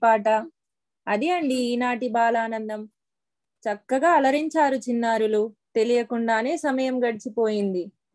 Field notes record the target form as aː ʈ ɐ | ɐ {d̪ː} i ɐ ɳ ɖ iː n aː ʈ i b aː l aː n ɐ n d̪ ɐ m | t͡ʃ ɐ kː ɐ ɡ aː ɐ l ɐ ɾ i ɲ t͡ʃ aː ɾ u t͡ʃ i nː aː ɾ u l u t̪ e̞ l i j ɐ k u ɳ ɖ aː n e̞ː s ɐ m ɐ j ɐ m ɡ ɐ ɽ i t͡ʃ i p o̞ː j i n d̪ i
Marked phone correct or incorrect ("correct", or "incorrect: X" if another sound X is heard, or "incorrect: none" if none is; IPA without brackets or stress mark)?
incorrect: d̪